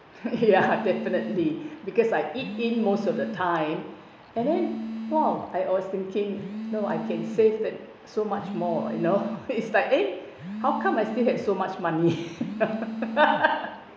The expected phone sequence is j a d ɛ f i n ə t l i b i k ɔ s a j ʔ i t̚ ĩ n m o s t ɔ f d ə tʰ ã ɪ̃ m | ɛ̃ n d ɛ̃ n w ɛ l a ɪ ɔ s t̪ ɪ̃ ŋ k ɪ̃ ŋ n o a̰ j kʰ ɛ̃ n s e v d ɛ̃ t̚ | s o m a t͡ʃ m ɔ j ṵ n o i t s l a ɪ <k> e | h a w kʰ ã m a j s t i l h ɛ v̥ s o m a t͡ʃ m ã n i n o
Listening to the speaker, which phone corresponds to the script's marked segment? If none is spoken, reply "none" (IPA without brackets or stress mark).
k